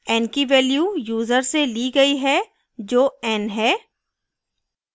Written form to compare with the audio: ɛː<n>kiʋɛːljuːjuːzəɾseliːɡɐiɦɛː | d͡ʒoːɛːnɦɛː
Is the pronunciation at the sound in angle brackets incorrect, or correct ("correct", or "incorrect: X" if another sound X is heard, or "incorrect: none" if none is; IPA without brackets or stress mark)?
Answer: correct